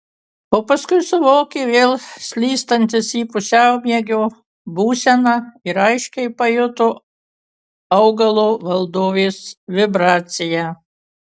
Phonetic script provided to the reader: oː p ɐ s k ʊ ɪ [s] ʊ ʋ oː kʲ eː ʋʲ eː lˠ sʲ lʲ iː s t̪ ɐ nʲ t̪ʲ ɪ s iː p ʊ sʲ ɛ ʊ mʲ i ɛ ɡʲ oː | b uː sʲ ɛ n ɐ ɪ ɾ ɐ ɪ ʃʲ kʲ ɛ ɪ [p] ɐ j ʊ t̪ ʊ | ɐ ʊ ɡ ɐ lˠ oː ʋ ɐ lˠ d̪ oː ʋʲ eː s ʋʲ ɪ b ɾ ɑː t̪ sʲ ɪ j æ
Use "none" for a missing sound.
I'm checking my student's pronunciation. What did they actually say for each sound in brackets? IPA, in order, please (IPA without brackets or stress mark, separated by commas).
s, p